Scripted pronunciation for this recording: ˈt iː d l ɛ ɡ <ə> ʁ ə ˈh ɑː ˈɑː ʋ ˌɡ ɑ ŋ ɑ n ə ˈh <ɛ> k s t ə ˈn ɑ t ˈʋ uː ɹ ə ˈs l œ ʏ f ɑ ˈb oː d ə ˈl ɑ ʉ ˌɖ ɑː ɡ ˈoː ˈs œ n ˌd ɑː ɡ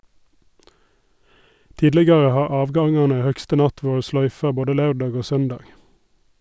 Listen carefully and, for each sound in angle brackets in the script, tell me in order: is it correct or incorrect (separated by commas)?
incorrect, incorrect